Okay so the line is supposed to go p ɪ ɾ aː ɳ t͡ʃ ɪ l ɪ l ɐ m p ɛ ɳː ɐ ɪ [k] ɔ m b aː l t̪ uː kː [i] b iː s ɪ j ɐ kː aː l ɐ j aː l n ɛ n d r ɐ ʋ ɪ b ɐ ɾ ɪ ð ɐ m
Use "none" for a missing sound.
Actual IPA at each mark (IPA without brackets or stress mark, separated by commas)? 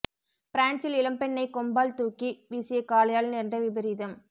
k, i